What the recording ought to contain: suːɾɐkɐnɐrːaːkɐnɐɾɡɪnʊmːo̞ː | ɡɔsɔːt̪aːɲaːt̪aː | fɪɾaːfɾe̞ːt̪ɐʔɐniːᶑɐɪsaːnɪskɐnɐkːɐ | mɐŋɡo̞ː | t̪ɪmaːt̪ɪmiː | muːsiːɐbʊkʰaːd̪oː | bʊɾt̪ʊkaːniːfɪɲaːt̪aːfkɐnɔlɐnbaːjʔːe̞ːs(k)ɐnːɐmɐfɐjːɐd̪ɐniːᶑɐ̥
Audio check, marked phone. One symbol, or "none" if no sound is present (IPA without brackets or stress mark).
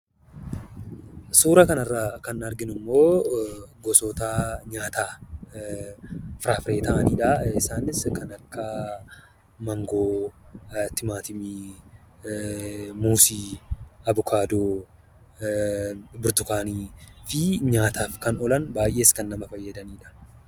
k